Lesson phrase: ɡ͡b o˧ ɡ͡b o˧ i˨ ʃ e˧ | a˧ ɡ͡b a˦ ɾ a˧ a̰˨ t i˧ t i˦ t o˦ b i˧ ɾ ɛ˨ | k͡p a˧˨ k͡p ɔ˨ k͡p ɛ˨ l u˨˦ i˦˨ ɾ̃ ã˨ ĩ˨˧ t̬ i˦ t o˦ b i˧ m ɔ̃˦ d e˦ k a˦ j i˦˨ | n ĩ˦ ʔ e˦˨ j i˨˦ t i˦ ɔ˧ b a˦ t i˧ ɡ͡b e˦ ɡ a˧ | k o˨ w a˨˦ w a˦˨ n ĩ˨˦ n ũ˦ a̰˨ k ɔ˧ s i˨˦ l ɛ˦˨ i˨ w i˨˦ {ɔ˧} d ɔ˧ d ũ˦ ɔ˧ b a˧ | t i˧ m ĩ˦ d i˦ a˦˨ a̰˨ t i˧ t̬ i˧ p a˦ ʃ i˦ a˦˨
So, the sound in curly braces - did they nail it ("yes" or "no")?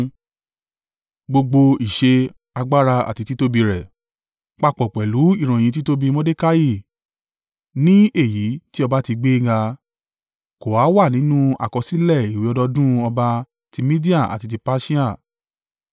yes